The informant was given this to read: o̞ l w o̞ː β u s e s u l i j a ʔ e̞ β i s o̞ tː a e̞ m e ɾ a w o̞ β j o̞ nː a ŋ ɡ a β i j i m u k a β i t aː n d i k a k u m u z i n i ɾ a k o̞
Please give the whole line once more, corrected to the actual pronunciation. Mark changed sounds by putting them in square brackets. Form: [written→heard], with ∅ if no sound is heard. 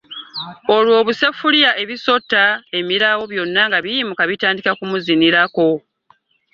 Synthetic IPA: o̞ l w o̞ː β u s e [s→f] u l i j a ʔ e̞ β i s o̞ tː a e̞ m [e→i] ɾ a w o̞ β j o̞ nː a ŋ ɡ a β i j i m u k a β i t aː n d i k a k u m u z i n i ɾ a k o̞